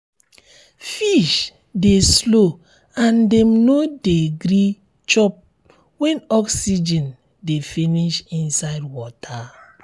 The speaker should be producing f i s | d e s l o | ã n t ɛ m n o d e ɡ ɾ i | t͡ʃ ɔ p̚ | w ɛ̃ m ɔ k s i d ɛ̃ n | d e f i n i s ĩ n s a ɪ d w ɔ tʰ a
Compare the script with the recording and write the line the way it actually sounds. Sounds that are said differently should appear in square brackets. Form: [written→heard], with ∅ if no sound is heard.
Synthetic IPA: f i [s→ʃ] | d e s l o | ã n [t→d] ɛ m n o d e ɡ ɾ i | t͡ʃ ɔ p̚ | w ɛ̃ [m→n] ɔ k s i [d→d͡ʒ] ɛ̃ n | d e f i n i [s→ʃ] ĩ n s a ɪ d w ɔ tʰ a